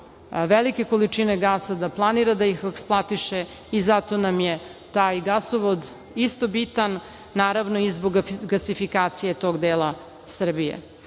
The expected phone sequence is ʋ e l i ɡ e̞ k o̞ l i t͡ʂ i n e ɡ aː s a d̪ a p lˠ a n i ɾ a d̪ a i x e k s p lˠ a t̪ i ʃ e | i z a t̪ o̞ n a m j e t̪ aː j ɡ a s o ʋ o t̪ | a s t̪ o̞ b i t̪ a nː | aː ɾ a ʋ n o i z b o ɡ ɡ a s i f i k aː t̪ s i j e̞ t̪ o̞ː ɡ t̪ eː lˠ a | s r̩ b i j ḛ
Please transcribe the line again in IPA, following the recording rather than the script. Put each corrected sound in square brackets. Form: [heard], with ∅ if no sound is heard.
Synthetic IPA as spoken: ʋ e l i [k] e̞ k o̞ l i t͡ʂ i n e ɡ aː s a d̪ a p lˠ a n i ɾ a d̪ a i x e k s p lˠ a t̪ i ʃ e | i z a t̪ o̞ n a m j e t̪ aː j ɡ a s o ʋ o [d̪] | [i] s t̪ o̞ b i t̪ a nː | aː ɾ a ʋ n o i z b o ɡ ɡ a s i f i k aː t̪ s i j e̞ t̪ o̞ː ɡ [d̪] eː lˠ a | s r̩ b i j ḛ